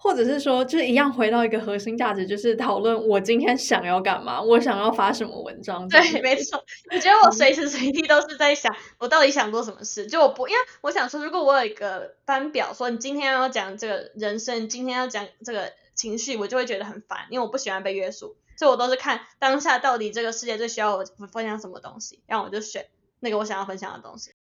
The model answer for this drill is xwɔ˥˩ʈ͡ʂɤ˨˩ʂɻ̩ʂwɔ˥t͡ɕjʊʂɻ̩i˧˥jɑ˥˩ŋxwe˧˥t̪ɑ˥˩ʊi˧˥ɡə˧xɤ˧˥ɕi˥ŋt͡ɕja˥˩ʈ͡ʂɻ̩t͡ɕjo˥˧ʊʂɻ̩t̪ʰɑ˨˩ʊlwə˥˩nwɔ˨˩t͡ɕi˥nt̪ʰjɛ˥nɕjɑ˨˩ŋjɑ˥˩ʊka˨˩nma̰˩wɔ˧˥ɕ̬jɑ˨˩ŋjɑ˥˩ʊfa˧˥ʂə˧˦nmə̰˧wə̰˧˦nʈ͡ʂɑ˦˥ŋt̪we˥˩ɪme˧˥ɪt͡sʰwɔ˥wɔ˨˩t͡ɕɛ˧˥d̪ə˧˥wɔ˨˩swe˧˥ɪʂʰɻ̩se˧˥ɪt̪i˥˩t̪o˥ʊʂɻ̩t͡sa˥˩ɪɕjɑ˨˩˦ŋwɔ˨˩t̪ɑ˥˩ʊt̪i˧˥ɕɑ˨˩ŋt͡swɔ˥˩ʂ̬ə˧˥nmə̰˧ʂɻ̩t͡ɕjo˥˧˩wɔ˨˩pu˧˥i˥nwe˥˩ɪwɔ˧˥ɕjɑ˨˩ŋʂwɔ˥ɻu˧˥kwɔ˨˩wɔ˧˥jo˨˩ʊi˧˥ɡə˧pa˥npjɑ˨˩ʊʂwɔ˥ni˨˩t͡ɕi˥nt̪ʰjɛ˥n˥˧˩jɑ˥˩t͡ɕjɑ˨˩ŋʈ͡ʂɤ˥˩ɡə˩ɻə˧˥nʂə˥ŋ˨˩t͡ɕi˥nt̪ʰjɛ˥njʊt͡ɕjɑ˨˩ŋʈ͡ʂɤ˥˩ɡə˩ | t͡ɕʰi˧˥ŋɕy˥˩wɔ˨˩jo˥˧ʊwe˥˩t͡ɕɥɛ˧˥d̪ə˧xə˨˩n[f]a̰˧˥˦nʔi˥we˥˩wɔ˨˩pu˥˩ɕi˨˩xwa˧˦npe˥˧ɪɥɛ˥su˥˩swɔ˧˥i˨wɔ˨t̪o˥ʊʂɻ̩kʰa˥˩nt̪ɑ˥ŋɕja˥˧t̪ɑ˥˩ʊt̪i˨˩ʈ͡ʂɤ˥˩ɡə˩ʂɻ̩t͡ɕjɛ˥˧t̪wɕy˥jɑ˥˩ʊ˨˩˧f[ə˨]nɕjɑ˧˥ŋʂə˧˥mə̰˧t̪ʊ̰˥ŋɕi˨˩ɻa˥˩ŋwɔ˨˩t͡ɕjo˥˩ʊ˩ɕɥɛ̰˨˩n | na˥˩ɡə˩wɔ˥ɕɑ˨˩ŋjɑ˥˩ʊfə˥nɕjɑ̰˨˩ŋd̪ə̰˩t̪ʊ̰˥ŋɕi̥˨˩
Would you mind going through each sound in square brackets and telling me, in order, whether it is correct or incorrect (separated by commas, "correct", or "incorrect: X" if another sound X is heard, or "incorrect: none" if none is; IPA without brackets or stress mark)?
correct, incorrect: ə˥